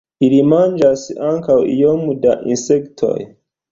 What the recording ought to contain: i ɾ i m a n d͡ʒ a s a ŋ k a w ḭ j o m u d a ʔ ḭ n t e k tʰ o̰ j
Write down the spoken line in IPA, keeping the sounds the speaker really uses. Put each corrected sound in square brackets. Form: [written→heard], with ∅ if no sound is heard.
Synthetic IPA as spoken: i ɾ i m a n d͡ʒ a s a ŋ k a w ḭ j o m u d a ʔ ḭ n [t→s] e k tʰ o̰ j